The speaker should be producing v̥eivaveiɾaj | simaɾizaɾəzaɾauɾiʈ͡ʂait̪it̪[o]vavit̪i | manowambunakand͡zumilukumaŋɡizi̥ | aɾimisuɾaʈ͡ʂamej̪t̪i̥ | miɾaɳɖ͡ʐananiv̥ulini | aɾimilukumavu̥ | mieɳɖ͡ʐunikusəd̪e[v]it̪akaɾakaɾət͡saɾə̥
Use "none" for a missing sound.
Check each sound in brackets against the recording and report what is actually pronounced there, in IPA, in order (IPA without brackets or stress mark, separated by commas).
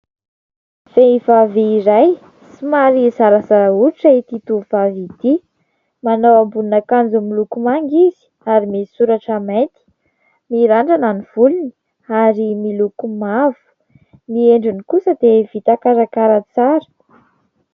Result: u, v